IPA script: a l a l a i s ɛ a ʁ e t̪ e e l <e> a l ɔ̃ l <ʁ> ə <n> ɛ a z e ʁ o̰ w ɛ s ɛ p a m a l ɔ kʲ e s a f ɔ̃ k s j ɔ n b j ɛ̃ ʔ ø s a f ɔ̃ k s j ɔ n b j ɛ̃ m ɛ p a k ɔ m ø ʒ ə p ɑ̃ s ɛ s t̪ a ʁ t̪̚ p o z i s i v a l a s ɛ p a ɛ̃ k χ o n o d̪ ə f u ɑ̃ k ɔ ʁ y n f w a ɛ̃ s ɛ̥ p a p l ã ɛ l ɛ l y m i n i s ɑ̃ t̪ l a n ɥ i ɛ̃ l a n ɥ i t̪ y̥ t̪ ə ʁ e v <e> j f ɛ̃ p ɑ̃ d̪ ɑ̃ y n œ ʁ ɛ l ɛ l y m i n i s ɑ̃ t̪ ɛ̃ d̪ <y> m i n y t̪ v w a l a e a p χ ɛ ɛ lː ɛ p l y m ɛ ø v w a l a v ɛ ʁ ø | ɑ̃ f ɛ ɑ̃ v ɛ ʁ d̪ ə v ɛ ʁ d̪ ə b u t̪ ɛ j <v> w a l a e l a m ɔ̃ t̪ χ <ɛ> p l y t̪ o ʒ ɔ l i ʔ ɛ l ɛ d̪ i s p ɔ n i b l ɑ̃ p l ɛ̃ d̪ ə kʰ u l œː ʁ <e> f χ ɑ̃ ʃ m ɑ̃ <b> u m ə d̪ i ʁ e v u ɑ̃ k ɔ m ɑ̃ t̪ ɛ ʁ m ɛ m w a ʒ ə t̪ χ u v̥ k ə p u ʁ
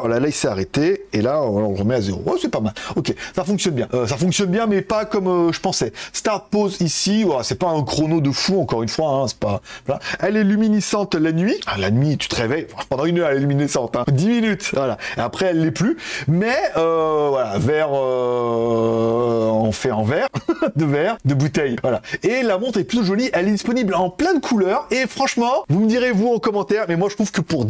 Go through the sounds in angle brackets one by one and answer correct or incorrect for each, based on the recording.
incorrect: a, correct, incorrect: m, incorrect: ɛ, incorrect: i, correct, correct, correct, incorrect: v

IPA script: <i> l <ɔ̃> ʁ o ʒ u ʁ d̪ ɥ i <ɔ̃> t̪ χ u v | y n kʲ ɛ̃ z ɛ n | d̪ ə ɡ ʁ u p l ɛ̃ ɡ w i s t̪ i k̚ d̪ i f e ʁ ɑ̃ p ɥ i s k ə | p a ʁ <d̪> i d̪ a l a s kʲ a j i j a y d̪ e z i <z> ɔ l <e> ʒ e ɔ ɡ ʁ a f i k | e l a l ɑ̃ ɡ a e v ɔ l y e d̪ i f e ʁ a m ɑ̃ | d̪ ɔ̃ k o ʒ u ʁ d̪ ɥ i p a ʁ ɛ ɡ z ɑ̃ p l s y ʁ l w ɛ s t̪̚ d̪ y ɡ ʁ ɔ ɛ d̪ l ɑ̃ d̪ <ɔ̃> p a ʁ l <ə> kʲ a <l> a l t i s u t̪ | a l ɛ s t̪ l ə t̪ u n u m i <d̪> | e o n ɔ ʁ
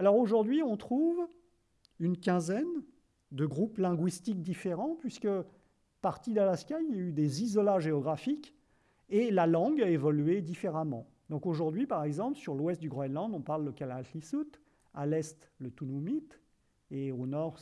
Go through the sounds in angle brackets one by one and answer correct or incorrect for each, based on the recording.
incorrect: a, incorrect: ɔ, correct, incorrect: t̪, correct, incorrect: a, correct, correct, correct, incorrect: t̪

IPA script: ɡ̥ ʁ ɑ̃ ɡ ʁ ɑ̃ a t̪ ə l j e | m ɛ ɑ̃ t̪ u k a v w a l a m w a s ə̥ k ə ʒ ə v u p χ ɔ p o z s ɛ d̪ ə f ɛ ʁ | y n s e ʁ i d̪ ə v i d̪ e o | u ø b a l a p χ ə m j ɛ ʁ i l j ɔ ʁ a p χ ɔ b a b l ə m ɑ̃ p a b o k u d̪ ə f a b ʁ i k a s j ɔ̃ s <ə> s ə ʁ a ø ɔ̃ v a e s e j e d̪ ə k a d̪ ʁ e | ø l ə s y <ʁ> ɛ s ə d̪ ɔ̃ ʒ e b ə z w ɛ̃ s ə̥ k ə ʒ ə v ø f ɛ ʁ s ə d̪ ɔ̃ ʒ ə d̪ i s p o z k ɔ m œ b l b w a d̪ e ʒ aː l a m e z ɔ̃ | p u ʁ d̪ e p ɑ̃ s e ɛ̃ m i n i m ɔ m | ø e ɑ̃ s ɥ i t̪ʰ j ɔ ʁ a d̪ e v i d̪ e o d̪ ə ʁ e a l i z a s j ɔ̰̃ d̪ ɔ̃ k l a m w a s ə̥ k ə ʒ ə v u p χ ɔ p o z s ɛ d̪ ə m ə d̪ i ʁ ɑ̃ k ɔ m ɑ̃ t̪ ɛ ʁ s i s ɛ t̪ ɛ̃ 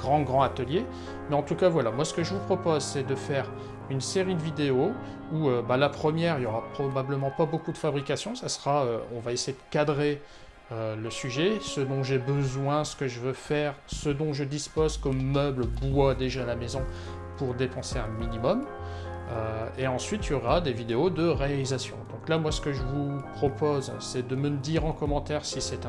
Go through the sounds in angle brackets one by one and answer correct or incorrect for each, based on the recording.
incorrect: a, incorrect: ʒ

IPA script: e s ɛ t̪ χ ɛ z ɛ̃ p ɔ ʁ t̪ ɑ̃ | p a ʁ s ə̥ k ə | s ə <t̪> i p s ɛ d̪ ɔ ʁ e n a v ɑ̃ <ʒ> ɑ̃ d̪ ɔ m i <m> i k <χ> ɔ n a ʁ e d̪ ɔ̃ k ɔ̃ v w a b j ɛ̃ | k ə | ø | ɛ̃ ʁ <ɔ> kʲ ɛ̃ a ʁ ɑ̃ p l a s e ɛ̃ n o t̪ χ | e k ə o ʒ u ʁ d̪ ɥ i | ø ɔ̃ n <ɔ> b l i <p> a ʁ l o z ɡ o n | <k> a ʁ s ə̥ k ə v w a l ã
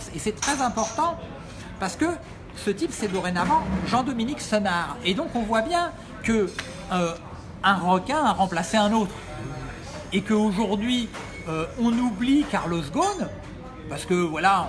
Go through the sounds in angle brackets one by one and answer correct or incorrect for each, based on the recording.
correct, correct, incorrect: n, incorrect: s, correct, incorrect: u, incorrect: k, incorrect: p

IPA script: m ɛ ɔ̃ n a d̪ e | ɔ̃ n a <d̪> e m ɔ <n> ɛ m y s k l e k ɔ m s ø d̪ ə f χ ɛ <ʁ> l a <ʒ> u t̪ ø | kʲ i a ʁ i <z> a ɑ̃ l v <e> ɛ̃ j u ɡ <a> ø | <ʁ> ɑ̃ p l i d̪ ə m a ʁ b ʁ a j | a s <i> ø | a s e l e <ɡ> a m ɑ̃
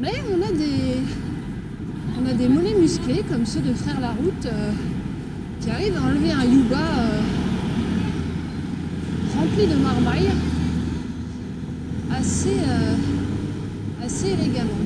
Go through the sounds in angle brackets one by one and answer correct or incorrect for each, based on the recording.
correct, correct, correct, incorrect: ʁ, incorrect: v, correct, correct, correct, incorrect: e, correct

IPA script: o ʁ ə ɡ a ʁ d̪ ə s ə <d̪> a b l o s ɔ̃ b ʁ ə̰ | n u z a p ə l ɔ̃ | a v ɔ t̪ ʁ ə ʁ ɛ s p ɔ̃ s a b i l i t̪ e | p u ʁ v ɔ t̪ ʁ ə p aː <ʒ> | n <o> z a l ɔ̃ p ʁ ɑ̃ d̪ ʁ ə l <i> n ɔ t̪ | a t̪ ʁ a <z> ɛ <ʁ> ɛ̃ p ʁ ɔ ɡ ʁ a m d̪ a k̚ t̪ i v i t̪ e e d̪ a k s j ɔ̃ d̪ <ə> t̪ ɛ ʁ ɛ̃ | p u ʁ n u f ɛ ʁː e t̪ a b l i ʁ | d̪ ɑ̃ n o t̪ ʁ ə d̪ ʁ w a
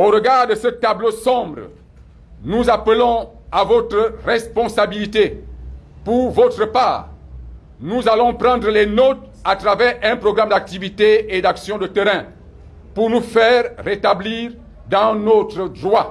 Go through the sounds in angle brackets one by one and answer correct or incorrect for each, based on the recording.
incorrect: t̪, incorrect: ʁ, incorrect: u, incorrect: ɛ, incorrect: v, correct, correct

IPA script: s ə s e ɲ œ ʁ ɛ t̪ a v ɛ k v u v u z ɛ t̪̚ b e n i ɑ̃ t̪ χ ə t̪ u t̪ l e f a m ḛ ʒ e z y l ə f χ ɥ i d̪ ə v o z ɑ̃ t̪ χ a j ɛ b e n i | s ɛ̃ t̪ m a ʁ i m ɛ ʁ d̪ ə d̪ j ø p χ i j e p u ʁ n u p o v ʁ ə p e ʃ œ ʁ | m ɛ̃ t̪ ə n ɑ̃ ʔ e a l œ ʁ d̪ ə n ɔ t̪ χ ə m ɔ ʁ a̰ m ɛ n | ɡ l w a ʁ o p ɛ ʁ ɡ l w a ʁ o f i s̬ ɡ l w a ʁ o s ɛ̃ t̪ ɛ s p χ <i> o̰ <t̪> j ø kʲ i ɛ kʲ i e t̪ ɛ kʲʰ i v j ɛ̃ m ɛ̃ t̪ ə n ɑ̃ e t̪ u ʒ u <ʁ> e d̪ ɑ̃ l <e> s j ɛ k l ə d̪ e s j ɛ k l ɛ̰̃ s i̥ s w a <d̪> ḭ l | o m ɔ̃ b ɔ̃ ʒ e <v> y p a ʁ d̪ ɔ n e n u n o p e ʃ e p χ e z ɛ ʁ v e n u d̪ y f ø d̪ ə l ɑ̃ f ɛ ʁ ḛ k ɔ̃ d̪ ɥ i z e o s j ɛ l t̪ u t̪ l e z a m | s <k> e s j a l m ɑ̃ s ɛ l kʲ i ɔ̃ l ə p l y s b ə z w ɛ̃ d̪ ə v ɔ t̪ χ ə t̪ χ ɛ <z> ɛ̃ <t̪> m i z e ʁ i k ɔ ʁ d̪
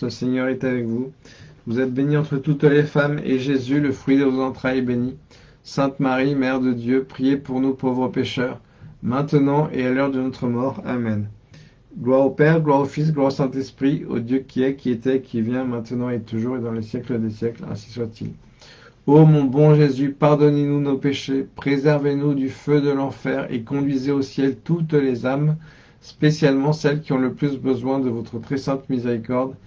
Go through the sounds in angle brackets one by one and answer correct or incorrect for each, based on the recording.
correct, incorrect: d̪, correct, correct, incorrect: t̪, incorrect: z, incorrect: p, incorrect: s, correct

